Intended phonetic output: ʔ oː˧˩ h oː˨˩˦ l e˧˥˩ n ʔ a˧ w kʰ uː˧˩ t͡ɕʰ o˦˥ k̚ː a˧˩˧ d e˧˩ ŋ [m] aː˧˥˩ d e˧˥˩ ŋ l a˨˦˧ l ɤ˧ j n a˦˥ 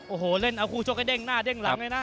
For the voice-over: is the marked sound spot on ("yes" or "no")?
no